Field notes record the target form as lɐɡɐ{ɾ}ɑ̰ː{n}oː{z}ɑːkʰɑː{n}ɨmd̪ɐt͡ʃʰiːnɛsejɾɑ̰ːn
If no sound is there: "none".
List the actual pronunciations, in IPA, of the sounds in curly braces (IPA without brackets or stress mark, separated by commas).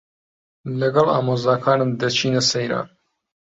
l, m, z, n